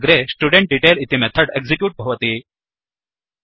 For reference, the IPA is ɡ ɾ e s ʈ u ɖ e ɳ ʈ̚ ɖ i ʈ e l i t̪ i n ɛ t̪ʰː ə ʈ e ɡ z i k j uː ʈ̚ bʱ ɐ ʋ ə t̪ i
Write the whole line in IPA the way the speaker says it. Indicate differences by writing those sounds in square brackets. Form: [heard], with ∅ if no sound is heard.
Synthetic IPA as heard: ɡ ɾ e s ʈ u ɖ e ɳ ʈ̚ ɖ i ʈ e l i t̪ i [m] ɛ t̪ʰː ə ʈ e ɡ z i k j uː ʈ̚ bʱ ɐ ʋ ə t̪ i